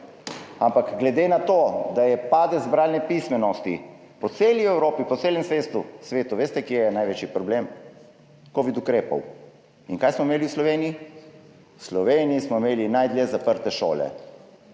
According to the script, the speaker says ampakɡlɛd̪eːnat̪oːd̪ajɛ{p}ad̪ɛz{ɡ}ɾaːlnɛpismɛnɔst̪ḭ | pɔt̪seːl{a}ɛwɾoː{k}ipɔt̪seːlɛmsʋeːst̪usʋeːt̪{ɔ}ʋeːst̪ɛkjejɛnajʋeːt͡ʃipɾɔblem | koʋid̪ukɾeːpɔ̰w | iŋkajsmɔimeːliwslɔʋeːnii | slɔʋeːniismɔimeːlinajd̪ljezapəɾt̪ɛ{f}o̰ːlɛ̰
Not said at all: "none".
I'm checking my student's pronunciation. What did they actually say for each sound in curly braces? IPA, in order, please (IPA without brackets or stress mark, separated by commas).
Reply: p, b, i, p, u, ʃ